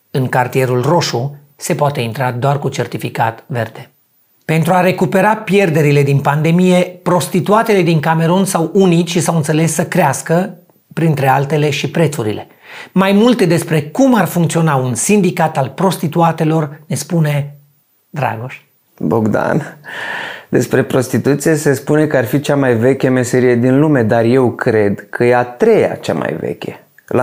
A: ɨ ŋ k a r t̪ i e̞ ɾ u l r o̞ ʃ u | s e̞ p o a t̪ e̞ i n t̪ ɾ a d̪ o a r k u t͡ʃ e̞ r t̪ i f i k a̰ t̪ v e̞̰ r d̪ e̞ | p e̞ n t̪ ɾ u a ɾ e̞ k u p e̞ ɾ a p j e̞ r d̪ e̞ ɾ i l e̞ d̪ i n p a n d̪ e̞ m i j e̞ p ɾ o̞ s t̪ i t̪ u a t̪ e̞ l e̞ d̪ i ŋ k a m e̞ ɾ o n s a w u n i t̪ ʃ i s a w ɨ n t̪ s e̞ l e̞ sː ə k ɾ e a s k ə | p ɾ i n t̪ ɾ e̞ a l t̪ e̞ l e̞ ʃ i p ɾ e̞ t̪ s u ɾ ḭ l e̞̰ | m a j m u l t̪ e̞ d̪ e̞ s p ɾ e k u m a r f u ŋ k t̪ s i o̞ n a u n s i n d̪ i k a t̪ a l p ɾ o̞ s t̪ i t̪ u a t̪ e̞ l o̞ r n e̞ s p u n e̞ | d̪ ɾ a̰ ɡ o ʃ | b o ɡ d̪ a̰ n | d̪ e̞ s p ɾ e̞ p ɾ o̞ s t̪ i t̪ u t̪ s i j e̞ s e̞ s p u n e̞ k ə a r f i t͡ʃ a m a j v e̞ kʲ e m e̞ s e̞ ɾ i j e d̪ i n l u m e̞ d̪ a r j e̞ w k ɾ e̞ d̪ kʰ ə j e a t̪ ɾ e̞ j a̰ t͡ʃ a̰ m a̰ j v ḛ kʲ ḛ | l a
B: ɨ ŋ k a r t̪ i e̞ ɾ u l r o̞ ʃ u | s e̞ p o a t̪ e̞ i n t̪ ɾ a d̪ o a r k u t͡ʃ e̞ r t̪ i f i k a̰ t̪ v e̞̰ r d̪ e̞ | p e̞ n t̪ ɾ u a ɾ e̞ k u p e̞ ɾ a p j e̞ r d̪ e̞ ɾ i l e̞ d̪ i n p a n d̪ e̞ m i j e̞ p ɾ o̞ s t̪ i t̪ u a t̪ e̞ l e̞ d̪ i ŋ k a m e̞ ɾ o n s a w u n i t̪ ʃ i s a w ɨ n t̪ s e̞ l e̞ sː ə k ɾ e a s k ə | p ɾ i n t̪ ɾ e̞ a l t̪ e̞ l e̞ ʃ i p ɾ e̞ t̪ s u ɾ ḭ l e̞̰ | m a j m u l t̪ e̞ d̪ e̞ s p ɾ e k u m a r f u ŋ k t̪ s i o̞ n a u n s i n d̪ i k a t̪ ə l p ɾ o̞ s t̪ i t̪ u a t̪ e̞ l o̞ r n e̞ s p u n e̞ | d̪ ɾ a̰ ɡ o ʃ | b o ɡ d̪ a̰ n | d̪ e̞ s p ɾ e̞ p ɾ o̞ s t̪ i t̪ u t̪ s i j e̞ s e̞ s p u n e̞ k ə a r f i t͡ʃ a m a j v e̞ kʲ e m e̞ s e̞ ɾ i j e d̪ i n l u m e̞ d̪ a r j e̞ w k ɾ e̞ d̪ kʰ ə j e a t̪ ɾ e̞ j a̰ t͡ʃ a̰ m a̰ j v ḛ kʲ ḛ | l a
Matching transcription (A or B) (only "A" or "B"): A